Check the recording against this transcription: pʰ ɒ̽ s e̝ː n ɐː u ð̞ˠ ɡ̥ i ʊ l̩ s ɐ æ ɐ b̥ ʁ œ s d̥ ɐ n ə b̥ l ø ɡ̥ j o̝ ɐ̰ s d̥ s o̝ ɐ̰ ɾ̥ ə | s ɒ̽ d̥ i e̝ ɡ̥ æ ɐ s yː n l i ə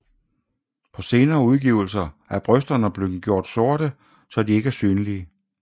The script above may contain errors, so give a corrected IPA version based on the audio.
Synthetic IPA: pʰ ɒ̽ s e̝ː n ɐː u ð̞ˠ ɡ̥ i ʊ l̩ s ɐ æ ɐ b̥ ʁ œ s d̥ ɐ n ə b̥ l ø ɡ̥ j o̝ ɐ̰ d̥ s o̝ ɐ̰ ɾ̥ ə | s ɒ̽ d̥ i e̝ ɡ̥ æ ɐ s yː n l i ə